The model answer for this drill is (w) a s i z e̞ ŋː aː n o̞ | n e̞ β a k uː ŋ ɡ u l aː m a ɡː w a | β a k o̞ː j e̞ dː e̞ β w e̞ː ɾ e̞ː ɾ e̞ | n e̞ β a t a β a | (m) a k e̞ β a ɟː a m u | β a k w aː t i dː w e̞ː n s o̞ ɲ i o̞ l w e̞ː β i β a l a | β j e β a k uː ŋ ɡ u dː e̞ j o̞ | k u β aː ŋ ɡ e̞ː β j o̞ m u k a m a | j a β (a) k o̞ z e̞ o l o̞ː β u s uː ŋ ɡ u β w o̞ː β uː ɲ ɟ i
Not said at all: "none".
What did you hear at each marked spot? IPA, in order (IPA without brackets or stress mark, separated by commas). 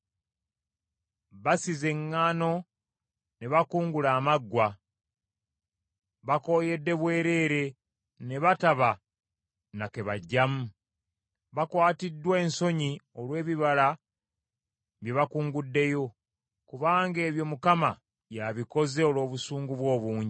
β, n, i